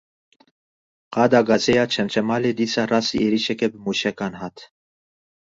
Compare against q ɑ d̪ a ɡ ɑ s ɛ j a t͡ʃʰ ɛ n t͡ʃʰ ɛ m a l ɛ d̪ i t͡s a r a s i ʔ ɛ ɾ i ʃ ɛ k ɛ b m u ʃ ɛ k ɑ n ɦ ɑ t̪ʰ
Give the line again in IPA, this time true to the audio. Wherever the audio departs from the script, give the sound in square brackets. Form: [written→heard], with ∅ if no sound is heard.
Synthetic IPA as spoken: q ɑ d̪ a ɡ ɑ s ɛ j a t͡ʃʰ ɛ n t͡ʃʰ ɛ m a l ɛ d̪ i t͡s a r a s i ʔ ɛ ɾ i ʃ ɛ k ɛ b m u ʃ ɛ k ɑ n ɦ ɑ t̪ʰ